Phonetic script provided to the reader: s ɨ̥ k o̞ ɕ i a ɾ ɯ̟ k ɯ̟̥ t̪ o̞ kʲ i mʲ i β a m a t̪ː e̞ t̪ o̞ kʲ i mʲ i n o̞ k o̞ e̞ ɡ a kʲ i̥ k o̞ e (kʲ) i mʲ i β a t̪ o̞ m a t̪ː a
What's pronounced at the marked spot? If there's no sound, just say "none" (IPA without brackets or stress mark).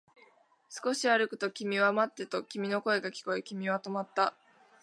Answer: kʲ